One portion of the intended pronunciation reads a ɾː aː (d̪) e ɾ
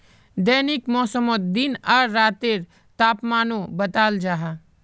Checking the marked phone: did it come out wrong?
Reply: yes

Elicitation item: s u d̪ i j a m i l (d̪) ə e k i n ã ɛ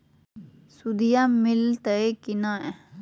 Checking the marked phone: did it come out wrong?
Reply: yes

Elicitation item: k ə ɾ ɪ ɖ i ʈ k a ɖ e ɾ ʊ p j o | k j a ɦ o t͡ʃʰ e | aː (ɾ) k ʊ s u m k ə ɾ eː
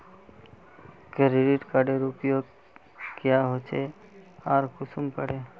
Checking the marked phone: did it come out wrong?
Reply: no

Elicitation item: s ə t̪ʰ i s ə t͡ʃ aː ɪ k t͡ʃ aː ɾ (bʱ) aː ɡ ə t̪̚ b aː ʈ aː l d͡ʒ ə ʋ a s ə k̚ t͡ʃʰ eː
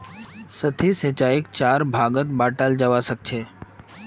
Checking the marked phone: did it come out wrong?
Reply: no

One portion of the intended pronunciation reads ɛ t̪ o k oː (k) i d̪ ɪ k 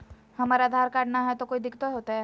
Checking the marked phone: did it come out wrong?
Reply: yes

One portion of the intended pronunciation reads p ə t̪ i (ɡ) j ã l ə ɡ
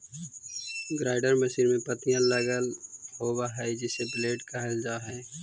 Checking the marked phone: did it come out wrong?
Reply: yes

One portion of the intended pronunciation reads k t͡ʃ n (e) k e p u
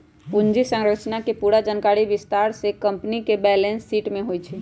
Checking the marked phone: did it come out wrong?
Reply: yes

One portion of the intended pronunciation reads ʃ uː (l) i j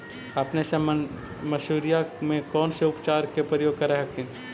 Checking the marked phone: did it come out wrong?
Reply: yes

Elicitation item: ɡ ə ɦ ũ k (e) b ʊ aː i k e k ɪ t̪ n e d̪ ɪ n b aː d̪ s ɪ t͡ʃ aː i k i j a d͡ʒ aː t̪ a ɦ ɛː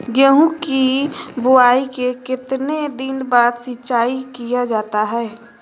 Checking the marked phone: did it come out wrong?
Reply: yes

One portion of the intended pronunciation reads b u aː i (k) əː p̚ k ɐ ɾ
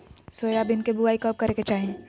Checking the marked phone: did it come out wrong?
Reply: no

